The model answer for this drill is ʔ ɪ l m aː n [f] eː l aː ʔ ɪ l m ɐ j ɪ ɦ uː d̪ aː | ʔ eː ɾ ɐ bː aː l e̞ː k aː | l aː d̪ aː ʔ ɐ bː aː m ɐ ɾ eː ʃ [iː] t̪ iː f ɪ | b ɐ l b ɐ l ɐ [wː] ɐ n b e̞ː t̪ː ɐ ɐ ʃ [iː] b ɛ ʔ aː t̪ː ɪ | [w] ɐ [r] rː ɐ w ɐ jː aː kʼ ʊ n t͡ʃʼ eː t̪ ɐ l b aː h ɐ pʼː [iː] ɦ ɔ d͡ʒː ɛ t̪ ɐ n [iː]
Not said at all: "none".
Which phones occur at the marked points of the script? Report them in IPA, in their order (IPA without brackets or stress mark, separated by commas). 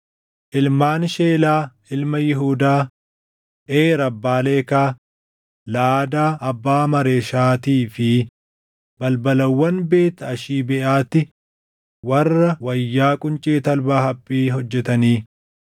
ʃ, aː, wː, iː, w, r, iː, iː